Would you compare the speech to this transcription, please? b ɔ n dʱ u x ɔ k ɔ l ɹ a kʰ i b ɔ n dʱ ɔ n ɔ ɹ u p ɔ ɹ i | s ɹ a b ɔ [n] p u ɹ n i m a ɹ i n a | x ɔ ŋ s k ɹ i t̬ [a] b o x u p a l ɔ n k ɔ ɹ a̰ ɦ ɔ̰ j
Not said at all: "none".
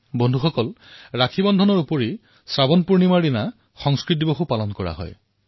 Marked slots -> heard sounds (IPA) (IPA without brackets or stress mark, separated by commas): n, i